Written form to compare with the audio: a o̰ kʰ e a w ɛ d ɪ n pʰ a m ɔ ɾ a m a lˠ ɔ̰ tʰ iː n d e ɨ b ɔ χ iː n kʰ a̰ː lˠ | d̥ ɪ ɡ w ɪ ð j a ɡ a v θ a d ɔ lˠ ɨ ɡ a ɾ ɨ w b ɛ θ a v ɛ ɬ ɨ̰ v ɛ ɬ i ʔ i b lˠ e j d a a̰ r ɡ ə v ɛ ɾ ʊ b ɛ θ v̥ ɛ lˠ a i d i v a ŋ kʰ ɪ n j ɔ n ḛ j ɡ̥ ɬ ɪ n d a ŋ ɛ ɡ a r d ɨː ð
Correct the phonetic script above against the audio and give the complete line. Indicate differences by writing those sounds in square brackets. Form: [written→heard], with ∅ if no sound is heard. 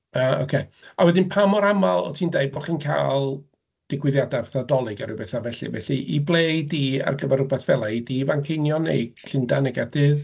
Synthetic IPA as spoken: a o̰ kʰ e a w ɛ d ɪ n pʰ a m ɔ ɾ a m a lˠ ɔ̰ tʰ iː n d e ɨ b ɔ χ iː n kʰ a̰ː lˠ | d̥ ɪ ɡ w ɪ ð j a [ɡ→d] a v θ a d ɔ lˠ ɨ ɡ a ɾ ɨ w b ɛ θ a v ɛ ɬ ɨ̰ v ɛ ɬ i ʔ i b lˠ e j d [a→i] a̰ r ɡ ə v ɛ ɾ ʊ b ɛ θ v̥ ɛ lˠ a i d i v a ŋ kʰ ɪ n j ɔ n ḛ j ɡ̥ ɬ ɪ n d a [ŋ→n] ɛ ɡ a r d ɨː ð